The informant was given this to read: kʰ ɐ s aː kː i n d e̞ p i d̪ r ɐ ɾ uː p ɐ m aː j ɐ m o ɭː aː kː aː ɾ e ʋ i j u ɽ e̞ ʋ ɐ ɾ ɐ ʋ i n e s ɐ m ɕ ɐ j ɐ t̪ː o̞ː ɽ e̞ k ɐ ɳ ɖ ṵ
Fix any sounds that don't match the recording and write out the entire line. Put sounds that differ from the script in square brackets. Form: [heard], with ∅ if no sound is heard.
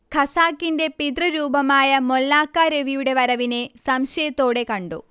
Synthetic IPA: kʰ ɐ s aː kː i n d e̞ p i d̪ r ɐ ɾ uː [b] ɐ m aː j ɐ m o [lː] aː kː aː ɾ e ʋ i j u ɽ e̞ ʋ ɐ ɾ ɐ ʋ i n e s ɐ m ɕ ɐ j ɐ t̪ː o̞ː ɽ e̞ k ɐ ɳ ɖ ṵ